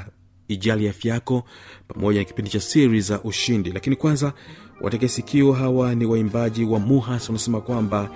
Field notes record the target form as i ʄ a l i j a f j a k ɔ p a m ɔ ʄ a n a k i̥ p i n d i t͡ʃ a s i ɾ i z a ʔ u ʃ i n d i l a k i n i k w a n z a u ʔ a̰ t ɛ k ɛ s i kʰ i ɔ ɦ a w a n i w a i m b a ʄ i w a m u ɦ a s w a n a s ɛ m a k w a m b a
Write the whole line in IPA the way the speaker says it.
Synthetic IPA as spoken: i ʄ a l i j a f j a k ɔ p a m ɔ ʄ a n a k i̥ p i n d i t͡ʃ a s i ɾ i z a ʔ u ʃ i n d i l a k i n i k w a n z a w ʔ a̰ t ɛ k ɛ s i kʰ i ɔ ɦ a w a n i w a i m b a ʄ i w a m u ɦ a s w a n a s ɛ m a k w a m b a